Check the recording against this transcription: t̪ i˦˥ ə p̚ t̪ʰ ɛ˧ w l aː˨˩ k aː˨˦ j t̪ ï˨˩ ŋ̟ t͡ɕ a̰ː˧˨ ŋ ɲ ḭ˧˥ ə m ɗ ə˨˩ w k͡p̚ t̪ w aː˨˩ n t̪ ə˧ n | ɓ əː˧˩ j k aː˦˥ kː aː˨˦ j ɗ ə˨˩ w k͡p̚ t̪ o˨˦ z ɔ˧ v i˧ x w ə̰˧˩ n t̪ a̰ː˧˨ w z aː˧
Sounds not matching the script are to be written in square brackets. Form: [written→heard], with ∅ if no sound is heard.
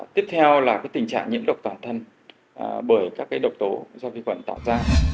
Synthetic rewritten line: t̪ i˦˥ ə p̚ t̪ʰ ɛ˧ w l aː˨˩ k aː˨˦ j t̪ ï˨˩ ŋ̟ t͡ɕ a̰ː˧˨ ŋ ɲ ḭ˧˥ ə m ɗ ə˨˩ w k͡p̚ t̪ w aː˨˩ n [t̪→t̪ʰ] ə˧ n | ɓ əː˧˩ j k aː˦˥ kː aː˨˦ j ɗ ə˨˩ w k͡p̚ t̪ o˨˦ z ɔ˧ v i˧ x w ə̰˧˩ n t̪ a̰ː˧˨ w z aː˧